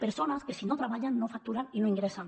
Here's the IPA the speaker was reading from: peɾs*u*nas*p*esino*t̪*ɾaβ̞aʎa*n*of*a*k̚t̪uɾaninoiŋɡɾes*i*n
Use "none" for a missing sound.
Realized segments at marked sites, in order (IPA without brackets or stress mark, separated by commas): o, k, t̪, nː, a, a